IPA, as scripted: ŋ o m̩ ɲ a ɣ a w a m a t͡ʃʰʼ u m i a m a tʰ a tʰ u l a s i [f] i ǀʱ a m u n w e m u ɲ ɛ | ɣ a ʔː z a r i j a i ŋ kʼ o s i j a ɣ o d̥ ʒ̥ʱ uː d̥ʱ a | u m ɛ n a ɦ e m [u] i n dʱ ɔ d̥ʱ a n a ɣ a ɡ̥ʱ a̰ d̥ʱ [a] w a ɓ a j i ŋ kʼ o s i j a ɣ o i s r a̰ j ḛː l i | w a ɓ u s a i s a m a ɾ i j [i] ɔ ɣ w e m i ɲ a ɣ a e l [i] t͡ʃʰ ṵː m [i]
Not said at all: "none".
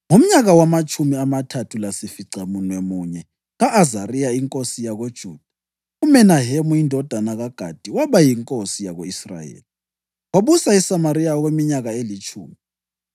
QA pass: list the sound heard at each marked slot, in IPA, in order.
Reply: f, u, i, a, i, i

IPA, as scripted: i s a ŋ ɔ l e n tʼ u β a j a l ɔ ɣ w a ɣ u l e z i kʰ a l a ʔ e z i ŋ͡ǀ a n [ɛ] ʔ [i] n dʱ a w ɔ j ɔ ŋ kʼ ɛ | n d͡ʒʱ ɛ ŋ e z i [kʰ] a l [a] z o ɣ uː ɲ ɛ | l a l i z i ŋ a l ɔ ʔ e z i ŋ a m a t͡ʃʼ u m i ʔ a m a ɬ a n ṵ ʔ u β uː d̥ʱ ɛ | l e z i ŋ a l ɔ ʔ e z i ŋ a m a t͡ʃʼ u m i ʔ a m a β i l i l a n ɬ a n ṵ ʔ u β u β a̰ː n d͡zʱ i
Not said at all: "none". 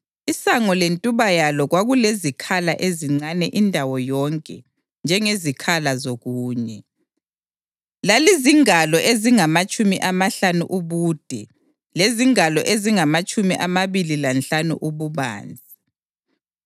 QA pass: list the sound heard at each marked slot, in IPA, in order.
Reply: ɛ, i, kʰ, a

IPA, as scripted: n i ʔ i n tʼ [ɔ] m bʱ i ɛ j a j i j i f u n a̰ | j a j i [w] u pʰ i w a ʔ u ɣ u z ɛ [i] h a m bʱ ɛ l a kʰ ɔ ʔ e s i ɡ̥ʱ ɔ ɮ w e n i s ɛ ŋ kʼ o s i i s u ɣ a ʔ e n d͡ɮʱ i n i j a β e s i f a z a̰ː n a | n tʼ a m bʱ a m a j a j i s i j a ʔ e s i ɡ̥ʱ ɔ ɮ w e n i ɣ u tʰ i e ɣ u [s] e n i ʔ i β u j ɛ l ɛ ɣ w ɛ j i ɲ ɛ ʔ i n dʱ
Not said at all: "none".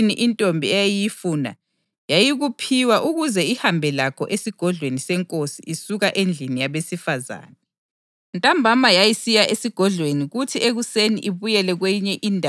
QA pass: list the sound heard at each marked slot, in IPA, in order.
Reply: o, ɣ, i, s

